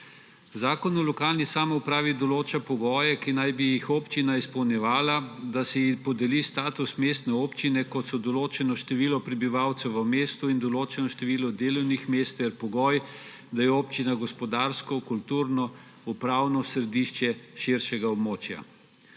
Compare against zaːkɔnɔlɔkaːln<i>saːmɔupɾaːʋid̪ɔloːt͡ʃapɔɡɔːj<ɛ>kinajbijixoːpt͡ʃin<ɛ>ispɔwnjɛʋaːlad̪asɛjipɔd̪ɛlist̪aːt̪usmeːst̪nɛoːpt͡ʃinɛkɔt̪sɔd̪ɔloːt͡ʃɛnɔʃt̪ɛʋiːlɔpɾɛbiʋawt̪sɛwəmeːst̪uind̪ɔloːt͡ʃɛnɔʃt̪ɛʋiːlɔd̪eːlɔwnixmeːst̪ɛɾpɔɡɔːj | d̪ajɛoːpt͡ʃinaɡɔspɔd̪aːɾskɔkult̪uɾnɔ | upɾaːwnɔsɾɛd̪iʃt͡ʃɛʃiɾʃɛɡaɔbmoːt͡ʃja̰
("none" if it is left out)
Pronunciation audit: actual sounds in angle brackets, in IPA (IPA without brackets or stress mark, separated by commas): i, ɛ, a